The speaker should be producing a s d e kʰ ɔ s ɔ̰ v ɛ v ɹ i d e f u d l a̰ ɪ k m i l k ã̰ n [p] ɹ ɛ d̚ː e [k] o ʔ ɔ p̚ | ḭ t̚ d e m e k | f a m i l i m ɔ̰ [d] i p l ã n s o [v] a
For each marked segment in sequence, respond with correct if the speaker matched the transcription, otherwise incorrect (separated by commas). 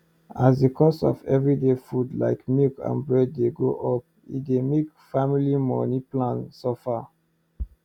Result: incorrect, incorrect, incorrect, incorrect